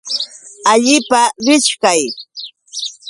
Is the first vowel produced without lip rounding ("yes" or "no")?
yes